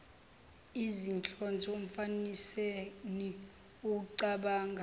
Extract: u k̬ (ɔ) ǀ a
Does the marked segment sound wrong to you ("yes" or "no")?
yes